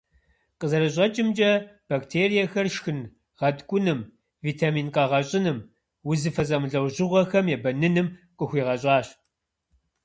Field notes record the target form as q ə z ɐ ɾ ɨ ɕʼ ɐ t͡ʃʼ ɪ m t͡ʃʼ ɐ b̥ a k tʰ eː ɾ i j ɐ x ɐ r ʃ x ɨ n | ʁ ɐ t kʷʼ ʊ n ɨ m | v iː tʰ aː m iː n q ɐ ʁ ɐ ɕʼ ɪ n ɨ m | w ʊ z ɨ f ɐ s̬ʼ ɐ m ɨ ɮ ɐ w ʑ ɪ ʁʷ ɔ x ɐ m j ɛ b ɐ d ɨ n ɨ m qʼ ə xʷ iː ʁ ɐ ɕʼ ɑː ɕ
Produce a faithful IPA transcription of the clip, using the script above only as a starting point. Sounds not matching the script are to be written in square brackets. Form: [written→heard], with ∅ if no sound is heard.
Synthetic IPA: q ə z ɐ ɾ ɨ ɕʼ ɐ t͡ʃʼ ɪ m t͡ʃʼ ɐ b̥ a k tʰ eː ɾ i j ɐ x ɐ r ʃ x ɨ n | ʁ ɐ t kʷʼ ʊ n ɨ m | v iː tʰ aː m iː n q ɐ ʁ ɐ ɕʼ ɪ n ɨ m | w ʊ z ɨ f ɐ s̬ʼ ɐ m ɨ ɮ ɐ w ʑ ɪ ʁʷ ɔ x ɐ m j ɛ b ɐ [d→n] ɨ n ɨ m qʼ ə xʷ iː ʁ ɐ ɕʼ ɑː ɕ